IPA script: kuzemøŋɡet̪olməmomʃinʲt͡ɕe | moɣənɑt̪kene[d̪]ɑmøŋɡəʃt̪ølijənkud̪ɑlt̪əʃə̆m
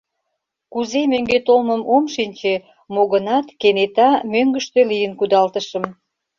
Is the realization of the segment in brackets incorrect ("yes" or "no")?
yes